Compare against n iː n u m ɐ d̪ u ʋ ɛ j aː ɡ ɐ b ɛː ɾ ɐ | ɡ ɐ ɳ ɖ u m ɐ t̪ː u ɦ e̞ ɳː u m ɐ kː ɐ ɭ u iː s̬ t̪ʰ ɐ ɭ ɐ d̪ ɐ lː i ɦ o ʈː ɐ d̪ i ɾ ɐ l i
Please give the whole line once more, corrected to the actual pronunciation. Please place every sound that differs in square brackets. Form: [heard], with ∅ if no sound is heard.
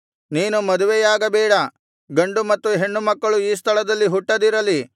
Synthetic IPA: n iː n u m ɐ d̪ u ʋ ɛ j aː ɡ ɐ b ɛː [ɽ] ɐ | ɡ ɐ ɳ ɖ u m ɐ t̪ː u ɦ e̞ ɳː u m ɐ kː ɐ ɭ u iː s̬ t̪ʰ ɐ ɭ ɐ d̪ ɐ lː i ɦ [u] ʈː ɐ d̪ i ɾ ɐ l i